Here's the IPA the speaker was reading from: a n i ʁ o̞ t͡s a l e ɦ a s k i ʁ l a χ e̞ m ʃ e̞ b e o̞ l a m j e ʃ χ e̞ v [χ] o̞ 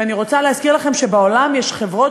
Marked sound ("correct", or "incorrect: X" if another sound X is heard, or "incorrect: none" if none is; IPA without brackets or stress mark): incorrect: ʁ